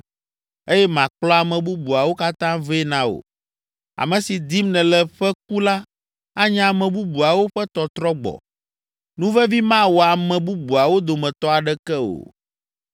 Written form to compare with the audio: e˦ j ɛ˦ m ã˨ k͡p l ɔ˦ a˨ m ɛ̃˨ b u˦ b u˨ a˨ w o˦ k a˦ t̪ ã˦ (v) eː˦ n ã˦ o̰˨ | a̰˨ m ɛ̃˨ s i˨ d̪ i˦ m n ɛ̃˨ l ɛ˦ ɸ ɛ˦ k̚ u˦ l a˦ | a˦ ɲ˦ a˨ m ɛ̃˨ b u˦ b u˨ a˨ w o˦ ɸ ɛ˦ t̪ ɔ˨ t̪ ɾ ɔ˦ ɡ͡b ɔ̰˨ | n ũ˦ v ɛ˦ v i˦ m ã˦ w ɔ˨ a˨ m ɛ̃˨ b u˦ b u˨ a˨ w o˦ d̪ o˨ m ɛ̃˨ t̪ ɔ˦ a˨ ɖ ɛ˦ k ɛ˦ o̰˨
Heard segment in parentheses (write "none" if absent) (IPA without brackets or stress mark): v